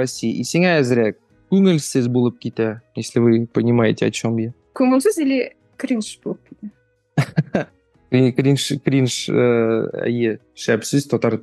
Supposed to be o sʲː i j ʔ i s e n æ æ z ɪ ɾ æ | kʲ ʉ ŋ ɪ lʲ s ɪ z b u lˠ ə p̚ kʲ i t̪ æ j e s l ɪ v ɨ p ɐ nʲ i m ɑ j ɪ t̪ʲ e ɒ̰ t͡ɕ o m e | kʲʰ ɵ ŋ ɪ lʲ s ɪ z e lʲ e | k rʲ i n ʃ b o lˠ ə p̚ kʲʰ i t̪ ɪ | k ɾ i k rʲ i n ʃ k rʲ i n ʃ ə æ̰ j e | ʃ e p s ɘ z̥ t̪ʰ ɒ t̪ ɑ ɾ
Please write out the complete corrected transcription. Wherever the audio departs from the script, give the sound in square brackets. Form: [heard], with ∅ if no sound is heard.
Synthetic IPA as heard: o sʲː i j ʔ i s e [ŋ] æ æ z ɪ ɾ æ | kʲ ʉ ŋ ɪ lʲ s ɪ z b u lˠ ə p̚ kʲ i t̪ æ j e s l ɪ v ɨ p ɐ nʲ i m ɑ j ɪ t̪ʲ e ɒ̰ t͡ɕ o m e | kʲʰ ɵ ŋ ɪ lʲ s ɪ z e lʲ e | k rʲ i n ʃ b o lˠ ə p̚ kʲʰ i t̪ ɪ | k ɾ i k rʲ i n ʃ k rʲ i n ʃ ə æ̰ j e | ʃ [æ] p s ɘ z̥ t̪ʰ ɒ t̪ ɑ ɾ